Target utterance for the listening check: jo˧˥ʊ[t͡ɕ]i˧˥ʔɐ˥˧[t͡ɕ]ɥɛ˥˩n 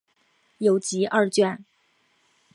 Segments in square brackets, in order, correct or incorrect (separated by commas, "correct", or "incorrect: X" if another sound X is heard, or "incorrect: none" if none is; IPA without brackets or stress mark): correct, correct